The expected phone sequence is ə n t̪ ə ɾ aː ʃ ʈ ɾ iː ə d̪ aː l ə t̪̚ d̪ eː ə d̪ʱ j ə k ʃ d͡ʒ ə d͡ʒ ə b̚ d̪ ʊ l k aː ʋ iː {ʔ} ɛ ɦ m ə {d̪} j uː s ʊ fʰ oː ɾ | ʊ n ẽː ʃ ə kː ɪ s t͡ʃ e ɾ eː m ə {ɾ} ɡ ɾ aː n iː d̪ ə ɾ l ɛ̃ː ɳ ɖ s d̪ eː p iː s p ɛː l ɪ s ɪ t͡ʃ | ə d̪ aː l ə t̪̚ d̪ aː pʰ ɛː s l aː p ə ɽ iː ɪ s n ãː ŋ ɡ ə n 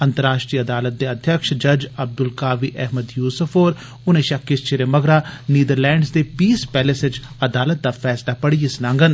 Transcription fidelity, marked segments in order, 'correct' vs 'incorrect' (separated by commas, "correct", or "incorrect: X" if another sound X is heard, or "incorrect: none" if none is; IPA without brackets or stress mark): correct, correct, incorrect: none